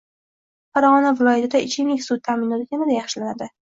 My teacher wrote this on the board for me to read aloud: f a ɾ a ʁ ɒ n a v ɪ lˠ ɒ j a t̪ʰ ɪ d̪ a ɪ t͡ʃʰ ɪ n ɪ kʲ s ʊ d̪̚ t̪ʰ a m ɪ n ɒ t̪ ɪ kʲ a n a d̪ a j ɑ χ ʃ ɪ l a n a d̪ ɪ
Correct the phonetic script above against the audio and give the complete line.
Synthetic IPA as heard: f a ɾ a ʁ ɒ n a v ɪ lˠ ɒ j a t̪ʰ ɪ d̪ a ɪ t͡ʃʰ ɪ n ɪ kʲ s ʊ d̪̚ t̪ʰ a m ɪ n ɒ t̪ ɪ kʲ a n a d̪ a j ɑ χ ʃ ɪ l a n a d̪ ɪ